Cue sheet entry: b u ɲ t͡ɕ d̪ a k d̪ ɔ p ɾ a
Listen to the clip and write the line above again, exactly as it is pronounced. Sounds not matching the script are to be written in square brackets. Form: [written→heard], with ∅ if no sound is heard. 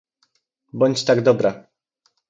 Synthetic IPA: b [u→ɔ] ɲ t͡ɕ [d̪→t̪] a [k→ɡ] d̪ ɔ [p→b] ɾ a